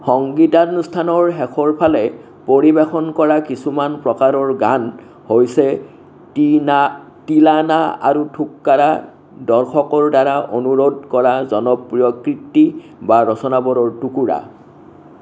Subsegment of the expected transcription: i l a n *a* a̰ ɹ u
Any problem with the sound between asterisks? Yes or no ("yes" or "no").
no